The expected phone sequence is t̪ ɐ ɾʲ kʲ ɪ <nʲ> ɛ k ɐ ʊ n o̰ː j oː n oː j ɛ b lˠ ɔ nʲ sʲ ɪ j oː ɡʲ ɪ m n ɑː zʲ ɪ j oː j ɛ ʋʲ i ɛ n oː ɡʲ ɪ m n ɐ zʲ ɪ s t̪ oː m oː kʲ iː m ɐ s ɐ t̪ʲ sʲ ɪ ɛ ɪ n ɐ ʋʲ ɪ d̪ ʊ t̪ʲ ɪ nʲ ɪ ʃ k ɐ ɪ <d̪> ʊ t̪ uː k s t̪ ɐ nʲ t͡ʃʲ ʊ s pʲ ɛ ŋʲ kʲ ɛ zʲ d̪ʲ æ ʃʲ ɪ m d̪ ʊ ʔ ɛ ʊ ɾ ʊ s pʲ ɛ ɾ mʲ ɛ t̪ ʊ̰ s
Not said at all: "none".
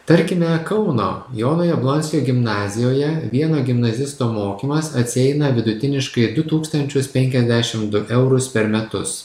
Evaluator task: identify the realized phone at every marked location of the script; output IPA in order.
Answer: mʲ, d̪

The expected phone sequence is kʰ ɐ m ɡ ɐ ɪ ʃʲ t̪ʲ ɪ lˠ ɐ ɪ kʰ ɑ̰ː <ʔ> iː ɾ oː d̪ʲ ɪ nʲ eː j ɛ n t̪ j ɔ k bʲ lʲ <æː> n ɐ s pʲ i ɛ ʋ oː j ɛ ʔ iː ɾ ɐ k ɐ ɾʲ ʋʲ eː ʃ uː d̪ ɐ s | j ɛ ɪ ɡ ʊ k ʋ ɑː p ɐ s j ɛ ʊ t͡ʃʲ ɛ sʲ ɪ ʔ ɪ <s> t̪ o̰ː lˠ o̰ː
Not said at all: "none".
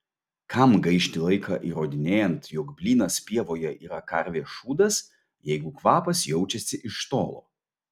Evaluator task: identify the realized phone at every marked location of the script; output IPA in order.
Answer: ʔ, iː, ʃ

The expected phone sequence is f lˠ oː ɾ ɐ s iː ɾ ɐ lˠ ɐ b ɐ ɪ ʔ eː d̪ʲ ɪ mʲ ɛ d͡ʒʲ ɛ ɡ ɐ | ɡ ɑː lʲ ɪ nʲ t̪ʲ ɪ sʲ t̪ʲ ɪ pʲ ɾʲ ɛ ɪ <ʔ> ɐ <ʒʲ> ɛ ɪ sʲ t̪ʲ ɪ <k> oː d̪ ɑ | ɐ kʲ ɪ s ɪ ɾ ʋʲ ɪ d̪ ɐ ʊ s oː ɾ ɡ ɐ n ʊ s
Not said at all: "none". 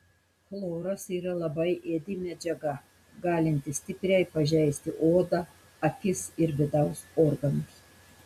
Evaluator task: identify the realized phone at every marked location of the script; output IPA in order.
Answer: p, ʒʲ, ʔ

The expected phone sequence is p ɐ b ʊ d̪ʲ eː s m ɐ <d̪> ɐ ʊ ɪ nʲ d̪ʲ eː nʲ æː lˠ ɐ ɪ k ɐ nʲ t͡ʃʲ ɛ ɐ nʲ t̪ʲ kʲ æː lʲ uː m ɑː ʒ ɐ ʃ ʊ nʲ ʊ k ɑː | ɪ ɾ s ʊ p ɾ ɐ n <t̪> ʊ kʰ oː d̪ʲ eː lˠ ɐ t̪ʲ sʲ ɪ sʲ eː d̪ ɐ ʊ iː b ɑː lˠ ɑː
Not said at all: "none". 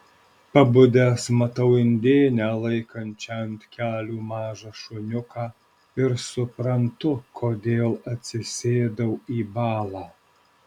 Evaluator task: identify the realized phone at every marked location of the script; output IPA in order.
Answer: t̪, t̪

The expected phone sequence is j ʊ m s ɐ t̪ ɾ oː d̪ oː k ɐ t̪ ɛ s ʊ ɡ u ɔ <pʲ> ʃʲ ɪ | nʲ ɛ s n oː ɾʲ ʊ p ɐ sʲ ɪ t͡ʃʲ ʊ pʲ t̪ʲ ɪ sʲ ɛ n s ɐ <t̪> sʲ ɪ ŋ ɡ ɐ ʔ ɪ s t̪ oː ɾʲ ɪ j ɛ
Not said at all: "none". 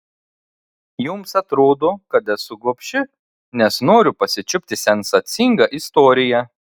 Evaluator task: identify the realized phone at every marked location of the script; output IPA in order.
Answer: pʲ, t̪

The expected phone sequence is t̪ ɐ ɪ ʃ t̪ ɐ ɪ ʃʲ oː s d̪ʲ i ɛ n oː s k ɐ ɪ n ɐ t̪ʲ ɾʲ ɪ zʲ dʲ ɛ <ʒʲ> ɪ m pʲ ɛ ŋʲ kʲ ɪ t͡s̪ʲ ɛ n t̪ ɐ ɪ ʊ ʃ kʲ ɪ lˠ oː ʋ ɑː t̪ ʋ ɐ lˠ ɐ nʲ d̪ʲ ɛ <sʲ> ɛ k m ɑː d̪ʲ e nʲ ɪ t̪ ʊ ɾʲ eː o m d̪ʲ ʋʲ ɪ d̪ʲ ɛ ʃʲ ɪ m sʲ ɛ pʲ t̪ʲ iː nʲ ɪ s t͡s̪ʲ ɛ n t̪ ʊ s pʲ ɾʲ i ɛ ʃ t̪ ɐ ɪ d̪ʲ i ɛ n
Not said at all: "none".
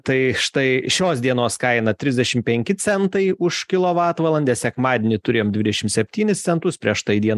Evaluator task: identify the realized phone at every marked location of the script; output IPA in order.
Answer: ʃʲ, sʲ

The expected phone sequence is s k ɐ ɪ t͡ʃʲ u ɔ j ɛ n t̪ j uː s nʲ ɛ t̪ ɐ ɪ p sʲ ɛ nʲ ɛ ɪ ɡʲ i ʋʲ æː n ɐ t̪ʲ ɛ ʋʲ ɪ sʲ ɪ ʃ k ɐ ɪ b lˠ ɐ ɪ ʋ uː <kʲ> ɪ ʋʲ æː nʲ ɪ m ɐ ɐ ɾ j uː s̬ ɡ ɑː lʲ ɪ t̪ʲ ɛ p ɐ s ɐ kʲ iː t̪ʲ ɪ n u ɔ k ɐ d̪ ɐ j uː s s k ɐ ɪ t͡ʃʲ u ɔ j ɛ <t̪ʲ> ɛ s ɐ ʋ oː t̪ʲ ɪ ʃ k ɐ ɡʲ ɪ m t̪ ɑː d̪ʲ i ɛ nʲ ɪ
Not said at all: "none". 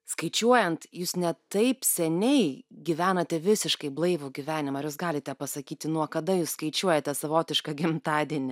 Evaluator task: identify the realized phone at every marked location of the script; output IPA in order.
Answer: ɡʲ, t̪ʲ

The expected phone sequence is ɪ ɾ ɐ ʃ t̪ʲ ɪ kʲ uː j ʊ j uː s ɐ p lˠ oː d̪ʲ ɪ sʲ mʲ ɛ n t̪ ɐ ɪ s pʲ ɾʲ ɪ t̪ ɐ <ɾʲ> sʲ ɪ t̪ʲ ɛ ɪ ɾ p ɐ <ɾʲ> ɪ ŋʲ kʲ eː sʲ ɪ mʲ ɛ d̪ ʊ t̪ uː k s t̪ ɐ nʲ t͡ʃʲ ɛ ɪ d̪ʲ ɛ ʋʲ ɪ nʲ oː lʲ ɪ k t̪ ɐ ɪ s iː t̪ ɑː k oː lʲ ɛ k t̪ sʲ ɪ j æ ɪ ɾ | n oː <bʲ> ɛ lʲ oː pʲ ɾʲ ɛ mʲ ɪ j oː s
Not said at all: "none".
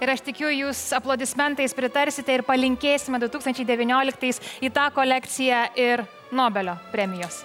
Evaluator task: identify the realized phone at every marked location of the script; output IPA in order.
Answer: ɾʲ, lʲ, bʲ

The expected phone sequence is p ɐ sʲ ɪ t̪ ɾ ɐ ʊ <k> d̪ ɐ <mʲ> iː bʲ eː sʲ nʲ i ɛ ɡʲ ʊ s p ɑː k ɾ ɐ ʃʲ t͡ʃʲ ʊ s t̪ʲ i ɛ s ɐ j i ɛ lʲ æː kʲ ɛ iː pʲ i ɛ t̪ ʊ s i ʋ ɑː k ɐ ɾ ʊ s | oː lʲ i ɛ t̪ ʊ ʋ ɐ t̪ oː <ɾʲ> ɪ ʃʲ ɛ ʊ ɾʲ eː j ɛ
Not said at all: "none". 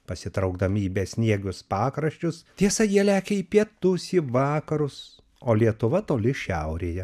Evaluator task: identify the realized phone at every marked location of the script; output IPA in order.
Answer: ɡ, mʲ, lʲ

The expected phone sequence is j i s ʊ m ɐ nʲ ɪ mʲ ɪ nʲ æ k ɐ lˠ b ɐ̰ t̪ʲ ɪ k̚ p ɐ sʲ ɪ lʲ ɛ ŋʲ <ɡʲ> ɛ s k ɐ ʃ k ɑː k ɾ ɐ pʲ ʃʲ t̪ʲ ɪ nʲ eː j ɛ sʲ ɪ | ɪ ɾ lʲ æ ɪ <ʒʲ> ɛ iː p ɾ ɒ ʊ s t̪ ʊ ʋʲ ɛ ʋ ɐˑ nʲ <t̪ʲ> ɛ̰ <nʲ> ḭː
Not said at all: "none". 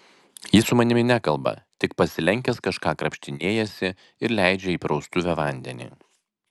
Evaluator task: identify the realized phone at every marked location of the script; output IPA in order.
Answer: kʲ, d͡ʒʲ, d̪ʲ, nʲ

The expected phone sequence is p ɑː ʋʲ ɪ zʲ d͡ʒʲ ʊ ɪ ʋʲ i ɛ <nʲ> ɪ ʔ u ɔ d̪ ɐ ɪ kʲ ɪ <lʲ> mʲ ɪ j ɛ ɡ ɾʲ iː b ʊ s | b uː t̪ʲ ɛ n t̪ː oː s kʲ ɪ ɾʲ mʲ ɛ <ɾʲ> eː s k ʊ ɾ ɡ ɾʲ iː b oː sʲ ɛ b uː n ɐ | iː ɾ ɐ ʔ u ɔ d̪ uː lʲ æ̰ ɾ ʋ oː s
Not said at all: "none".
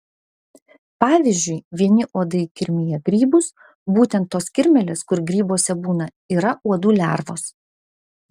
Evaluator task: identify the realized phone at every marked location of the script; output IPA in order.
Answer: nʲ, ɾʲ, lʲ

